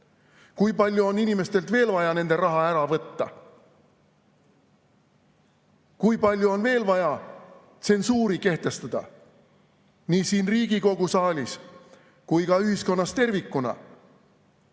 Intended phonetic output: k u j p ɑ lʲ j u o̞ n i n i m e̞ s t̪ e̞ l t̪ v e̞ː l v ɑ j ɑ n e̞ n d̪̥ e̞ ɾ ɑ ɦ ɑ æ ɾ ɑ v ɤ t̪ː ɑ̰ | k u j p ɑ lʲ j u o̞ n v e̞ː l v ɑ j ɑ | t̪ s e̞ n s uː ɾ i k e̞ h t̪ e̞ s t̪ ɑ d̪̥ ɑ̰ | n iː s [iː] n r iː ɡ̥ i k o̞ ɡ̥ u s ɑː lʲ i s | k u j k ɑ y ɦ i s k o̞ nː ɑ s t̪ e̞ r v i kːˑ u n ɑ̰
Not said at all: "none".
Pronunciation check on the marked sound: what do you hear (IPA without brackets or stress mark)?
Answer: iː